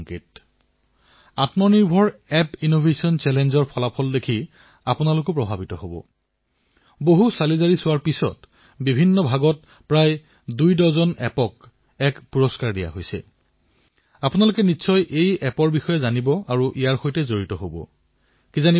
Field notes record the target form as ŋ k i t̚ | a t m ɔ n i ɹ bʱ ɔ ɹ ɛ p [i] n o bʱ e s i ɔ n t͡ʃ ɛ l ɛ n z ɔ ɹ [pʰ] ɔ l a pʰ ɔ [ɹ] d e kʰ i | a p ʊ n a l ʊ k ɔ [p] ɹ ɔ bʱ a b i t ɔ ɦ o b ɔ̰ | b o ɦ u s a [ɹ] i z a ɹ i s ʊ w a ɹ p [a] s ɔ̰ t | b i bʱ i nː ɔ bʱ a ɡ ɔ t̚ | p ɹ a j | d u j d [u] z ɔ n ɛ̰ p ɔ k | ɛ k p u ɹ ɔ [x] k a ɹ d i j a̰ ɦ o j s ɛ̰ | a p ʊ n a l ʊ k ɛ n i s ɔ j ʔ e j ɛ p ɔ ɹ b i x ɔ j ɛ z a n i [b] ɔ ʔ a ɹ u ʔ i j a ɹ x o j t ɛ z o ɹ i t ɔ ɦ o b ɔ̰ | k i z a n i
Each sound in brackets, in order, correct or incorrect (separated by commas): correct, correct, incorrect, correct, incorrect, incorrect, incorrect, incorrect, correct